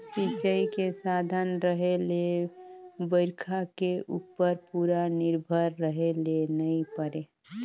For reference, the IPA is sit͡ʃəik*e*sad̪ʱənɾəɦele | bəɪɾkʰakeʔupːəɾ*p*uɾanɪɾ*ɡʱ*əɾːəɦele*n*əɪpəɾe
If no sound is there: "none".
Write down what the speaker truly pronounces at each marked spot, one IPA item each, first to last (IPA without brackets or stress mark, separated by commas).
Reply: e, p, bʱ, n